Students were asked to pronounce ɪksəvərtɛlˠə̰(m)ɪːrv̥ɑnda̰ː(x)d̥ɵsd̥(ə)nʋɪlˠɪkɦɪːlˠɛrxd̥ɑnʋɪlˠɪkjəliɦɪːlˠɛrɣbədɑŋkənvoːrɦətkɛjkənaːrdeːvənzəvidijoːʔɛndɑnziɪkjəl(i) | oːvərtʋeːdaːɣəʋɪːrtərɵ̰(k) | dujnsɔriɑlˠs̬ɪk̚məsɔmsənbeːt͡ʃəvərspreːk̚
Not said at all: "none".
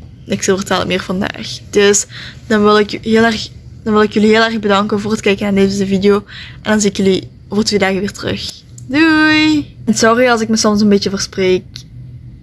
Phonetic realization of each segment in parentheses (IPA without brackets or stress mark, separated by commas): m, x, ɑ, i, x